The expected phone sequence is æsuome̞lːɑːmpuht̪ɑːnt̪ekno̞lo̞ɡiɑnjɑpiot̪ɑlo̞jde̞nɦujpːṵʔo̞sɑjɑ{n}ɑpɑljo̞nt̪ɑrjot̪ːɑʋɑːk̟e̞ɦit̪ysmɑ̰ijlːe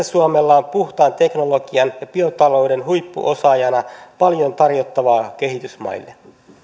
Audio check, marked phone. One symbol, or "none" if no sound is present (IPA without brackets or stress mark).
n